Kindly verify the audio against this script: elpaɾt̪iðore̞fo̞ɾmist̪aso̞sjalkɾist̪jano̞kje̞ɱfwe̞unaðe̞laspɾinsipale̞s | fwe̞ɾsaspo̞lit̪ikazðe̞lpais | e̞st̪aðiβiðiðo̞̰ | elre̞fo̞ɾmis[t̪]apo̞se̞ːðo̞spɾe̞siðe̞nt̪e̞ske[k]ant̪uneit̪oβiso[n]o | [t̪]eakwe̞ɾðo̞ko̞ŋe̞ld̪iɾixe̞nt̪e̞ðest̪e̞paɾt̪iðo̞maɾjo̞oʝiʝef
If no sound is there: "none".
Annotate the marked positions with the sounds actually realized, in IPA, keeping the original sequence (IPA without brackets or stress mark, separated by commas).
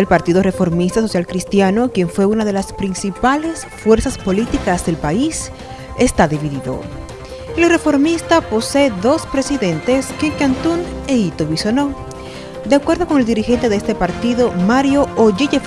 t̪, k, n, d̪